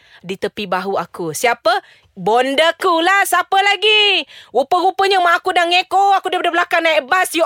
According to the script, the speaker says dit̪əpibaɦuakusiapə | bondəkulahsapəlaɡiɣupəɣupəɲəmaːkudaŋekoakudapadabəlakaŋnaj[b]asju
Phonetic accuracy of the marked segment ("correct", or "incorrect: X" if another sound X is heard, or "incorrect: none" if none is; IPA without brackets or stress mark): correct